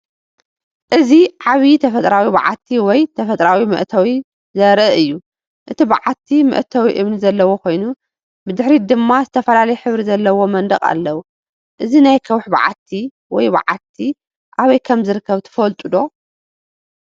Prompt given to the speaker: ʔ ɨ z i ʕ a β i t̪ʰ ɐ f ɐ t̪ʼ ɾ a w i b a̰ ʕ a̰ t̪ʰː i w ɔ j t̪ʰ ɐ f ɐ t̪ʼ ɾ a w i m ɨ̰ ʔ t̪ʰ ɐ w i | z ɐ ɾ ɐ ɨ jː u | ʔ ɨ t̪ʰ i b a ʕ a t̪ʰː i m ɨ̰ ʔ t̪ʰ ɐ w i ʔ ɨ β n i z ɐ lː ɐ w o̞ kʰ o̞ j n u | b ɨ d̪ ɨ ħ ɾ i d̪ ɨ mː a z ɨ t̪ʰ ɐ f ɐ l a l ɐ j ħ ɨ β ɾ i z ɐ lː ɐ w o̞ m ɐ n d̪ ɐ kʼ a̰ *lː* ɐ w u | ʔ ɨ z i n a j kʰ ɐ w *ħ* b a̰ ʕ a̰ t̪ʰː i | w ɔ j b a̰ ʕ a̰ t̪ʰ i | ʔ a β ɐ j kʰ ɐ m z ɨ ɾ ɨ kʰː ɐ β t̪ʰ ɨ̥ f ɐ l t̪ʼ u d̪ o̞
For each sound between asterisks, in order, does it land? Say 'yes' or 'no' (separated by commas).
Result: yes, yes